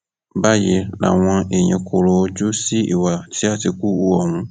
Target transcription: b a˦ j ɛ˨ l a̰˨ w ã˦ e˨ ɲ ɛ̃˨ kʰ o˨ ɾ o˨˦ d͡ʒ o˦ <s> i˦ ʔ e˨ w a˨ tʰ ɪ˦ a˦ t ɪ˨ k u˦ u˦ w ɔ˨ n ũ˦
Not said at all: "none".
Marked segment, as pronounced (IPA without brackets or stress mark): s